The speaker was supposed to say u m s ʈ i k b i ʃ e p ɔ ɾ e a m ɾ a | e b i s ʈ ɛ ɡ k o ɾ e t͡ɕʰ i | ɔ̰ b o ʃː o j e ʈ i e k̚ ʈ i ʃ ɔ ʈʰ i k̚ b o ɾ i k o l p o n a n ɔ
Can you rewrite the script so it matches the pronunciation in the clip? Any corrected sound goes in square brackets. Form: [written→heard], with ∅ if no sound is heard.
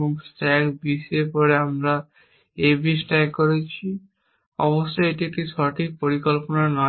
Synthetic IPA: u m s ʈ [i→ɛ] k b i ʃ e p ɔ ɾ e a m ɾ a | e b i s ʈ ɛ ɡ k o ɾ e t͡ɕʰ i | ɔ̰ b o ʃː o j e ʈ i e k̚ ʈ i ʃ ɔ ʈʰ i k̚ [b→p] o ɾ i k o l p o n a n ɔ

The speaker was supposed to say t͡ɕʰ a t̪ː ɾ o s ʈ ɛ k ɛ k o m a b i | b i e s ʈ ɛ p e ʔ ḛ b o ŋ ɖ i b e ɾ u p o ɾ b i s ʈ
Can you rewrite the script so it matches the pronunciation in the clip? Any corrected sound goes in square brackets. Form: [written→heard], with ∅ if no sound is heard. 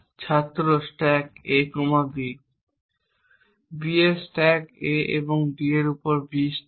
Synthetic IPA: t͡ɕʰ a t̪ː ɾ o s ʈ ɛ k [ɛ→e] k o m a b i | b i e s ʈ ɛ [p→k] e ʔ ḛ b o ŋ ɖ i [b→∅] e ɾ u p o ɾ b i s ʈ

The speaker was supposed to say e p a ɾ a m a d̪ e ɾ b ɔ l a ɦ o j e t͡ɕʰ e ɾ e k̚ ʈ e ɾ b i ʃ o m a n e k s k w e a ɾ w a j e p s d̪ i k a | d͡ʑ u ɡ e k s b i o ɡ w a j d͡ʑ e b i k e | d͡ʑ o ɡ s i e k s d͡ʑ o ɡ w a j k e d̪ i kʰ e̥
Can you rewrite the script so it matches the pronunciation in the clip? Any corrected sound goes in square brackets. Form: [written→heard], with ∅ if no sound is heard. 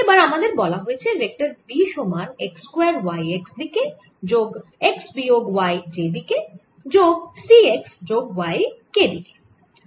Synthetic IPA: e [p→b] a ɾ a m a d̪ e ɾ b ɔ l a ɦ o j e t͡ɕʰ e ɾ e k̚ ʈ [e→a] ɾ b i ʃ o m a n e k s k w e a ɾ w a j e [p→k] s d̪ i k [a→e] | d͡ʑ [u→o] ɡ e k s b i o ɡ w a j d͡ʑ e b i k e | d͡ʑ o ɡ s i e k s d͡ʑ o ɡ w a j k e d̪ i [kʰ→k] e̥

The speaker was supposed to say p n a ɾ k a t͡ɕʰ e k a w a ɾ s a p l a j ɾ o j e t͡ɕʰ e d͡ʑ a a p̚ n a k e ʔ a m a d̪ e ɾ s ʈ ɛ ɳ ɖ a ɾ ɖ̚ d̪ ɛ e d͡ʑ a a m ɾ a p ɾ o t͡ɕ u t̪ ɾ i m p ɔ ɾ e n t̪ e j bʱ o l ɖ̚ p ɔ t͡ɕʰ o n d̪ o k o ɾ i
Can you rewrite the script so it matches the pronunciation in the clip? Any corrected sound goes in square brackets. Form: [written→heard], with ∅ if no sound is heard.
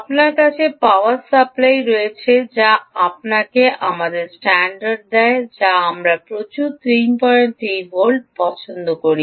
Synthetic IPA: p n a ɾ k a t͡ɕʰ e [k→p] a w a ɾ s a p l a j ɾ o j e t͡ɕʰ e d͡ʑ a a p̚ n a k e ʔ a m a d̪ e ɾ s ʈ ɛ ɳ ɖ a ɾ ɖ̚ d̪ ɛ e d͡ʑ a a m ɾ a p ɾ o t͡ɕ u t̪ ɾ i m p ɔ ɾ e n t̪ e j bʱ o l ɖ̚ p ɔ t͡ɕʰ o n d̪ o k o ɾ i

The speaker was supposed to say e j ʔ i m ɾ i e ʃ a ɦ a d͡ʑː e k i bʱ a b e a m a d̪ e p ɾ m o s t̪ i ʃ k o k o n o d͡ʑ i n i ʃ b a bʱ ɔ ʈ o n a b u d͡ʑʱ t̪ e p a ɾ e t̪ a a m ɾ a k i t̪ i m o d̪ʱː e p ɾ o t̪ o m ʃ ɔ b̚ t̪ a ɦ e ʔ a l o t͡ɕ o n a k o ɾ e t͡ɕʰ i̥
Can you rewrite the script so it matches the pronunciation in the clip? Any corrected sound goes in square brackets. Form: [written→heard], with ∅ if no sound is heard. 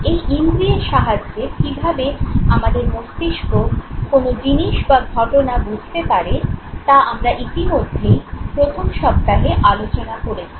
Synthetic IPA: e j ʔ i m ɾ i e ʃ a ɦ a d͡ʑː e k i bʱ a b e a m a d̪ e [p→∅] ɾ m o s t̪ i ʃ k o k o n o d͡ʑ i n i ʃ b a [bʱ→ɡʱ] ɔ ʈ o n a b u d͡ʑʱ t̪ e p a ɾ e t̪ a a m ɾ a [k→ʔ] i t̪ i m o d̪ʱː e p ɾ o [t̪→t̪ʰ] o m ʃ ɔ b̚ t̪ a ɦ e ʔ a l o t͡ɕ o n a k o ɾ e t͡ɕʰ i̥

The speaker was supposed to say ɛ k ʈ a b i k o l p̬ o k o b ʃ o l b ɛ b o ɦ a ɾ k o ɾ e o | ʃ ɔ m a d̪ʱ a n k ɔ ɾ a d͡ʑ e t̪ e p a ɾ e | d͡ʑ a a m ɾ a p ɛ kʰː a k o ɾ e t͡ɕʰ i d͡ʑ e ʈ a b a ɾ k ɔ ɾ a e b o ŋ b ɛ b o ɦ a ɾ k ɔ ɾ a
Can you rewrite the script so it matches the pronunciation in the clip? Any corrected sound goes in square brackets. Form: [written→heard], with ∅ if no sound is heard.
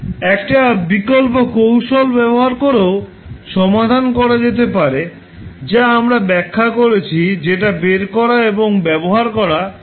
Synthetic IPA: ɛ k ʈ a b i k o l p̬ o k o [b→w] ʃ o l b ɛ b o ɦ a ɾ k o ɾ e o | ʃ ɔ m a d̪ʱ a n k ɔ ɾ a d͡ʑ e t̪ e p a ɾ e | d͡ʑ a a m ɾ a [p→b] ɛ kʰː a k o ɾ e t͡ɕʰ i d͡ʑ e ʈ a b [a→e] ɾ k ɔ ɾ a e b o ŋ b ɛ b o ɦ a ɾ k ɔ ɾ a

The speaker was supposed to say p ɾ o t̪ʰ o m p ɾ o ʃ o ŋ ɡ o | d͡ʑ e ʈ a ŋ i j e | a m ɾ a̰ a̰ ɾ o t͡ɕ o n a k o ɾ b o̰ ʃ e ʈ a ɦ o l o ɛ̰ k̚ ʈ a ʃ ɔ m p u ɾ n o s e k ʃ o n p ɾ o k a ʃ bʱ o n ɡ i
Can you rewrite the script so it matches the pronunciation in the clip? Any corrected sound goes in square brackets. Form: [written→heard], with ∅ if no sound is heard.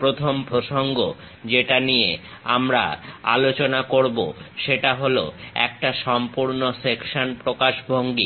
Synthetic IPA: p ɾ o t̪ʰ o m p ɾ o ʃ o ŋ ɡ o | d͡ʑ e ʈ a [ŋ→n] i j e | a m ɾ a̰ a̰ [ɾ→l] o t͡ɕ o n a k o ɾ b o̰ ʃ e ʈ a ɦ o l o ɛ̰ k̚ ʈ a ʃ ɔ m p u ɾ n o s e k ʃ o n p ɾ o k a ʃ bʱ o [n→ŋ] ɡ i

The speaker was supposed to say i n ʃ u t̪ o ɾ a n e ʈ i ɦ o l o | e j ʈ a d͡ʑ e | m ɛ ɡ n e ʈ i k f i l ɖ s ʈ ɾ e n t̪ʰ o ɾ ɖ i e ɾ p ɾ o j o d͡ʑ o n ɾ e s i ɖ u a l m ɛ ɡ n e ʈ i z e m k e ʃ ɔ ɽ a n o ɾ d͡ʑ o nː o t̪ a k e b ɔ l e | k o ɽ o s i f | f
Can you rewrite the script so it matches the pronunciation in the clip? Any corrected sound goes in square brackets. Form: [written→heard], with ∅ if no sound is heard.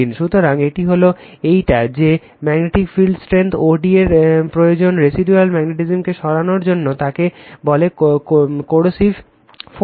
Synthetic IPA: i n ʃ u t̪ o ɾ a [n→ŋ] e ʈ i ɦ o l o | e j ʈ a d͡ʑ e | m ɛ ɡ n e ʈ i k f i l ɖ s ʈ ɾ e n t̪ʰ o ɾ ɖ i e ɾ p ɾ o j o d͡ʑ o n ɾ e s i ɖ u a l m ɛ ɡ n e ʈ i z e m k e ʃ ɔ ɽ a n o ɾ d͡ʑ o nː o t̪ a k e b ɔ l e | k o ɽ o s i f | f

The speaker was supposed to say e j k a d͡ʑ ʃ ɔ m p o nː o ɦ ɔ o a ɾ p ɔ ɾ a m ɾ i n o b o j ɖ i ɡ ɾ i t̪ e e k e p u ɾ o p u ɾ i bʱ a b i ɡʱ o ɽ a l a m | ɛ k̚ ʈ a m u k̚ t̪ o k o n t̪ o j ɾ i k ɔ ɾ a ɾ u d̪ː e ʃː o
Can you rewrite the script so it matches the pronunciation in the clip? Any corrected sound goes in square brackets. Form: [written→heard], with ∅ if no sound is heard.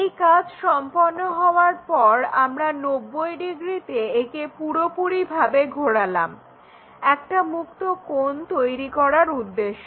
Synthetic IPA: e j k a d͡ʑ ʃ ɔ m p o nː o ɦ ɔ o a ɾ p ɔ ɾ a m ɾ [i→a] n o [b→bː] o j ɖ i ɡ ɾ i t̪ e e k e p u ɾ o p u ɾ i bʱ a b [i→e] ɡʱ o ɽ a l a m | ɛ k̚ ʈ a m u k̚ t̪ o k o n t̪ o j ɾ i k ɔ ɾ a ɾ u d̪ː e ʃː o

